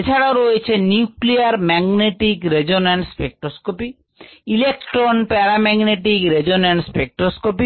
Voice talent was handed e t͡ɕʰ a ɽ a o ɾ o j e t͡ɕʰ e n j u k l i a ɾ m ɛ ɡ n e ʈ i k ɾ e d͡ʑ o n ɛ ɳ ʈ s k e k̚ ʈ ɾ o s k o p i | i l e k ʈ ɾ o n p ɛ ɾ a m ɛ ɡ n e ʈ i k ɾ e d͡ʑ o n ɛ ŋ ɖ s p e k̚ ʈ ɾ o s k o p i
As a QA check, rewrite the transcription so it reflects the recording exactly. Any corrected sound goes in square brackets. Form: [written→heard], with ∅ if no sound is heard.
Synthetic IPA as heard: e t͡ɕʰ a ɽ a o ɾ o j e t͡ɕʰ e n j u k l i a ɾ m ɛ ɡ n e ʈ i k ɾ e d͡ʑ o n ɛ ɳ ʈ s [k→p] e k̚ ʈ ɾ o s k o p i | i l e k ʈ ɾ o n p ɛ ɾ a m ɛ ɡ n e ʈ i k ɾ e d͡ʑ o n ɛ [ŋ→ɳ] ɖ s p e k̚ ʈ ɾ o s k o p i